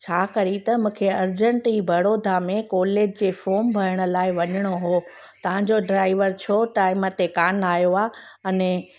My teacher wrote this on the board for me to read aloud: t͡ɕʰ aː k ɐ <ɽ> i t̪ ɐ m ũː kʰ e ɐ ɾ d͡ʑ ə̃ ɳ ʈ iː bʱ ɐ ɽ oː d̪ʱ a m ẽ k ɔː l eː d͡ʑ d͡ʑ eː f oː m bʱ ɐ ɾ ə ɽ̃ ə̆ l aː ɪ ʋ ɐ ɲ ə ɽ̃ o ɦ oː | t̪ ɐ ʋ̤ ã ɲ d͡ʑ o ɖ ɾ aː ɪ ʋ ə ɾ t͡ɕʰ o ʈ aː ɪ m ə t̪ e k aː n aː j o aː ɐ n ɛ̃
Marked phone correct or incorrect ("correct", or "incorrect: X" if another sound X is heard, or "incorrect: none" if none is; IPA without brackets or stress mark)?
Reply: incorrect: ɾ